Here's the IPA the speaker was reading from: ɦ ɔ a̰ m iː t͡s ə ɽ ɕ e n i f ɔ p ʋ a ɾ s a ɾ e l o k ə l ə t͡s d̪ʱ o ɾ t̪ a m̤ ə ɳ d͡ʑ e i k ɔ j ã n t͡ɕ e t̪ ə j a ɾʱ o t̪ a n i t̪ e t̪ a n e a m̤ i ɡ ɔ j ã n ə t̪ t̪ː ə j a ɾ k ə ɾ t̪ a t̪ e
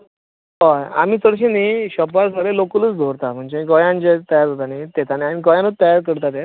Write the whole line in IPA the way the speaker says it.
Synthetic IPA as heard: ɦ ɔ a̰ m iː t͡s ə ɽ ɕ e n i ɕ ɔ p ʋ a ɾ s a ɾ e l o k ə l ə t͡s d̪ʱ o ɾ t̪ a m̤ ə ɳ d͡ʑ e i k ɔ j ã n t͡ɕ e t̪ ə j a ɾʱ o t̪ a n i t̪ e t̪ a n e a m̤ i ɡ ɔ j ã n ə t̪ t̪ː ə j a ɾ k ə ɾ t̪ a t̪ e